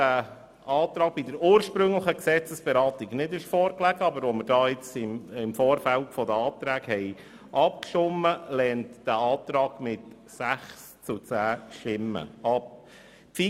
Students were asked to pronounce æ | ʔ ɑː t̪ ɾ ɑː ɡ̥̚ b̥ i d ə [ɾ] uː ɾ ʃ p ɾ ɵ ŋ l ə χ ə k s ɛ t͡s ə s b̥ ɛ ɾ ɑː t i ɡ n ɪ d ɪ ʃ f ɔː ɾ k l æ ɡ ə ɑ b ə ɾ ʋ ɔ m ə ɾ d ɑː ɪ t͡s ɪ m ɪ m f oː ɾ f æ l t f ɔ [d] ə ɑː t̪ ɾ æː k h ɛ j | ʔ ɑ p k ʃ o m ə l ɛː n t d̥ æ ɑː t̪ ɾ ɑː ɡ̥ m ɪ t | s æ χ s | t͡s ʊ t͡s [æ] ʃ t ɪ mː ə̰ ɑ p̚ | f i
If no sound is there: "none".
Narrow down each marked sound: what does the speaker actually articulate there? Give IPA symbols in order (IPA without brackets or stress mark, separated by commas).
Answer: ɾ, d, æː